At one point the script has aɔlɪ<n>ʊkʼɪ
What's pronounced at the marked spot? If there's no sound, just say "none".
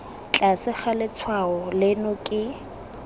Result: n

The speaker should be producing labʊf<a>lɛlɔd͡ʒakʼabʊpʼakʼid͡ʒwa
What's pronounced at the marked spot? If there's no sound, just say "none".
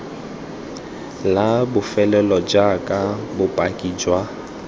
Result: ɛ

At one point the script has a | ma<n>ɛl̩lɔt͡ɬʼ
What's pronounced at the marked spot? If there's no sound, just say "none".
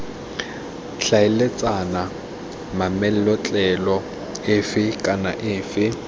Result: m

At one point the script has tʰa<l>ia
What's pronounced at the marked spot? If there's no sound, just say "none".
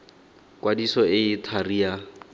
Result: r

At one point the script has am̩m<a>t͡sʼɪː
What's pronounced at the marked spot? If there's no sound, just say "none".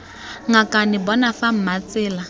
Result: a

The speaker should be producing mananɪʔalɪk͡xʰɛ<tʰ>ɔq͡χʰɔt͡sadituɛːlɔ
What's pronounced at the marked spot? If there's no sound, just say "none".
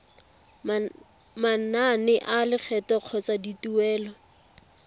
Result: t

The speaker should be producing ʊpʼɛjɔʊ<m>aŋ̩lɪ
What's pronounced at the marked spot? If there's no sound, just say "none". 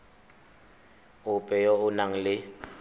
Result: n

